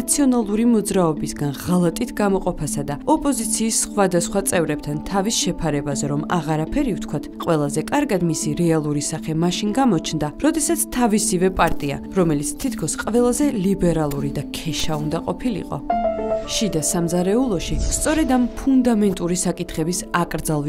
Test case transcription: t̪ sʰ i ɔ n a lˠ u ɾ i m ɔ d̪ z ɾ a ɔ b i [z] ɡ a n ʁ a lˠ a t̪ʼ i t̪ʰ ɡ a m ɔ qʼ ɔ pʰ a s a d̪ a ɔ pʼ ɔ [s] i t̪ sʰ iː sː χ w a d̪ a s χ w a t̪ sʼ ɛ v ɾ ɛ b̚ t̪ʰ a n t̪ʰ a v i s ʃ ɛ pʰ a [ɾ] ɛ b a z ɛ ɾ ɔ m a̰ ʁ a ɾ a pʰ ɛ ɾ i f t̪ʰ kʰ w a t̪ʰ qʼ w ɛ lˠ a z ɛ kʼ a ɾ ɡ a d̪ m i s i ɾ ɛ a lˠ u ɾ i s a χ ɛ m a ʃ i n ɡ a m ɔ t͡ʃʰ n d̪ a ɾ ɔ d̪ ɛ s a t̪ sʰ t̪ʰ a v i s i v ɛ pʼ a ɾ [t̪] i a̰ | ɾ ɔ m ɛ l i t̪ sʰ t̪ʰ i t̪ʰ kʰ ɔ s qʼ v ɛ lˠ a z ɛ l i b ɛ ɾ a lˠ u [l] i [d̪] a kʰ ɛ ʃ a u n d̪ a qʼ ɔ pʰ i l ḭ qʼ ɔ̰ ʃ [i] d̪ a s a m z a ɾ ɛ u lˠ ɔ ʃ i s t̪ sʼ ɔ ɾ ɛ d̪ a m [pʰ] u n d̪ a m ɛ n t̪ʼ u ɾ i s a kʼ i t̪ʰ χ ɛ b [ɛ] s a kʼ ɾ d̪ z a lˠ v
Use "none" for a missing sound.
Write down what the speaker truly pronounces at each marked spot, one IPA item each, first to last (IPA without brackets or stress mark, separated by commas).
s, z, ɾ, t̪ʼ, ɾ, d̪, i, pʰ, i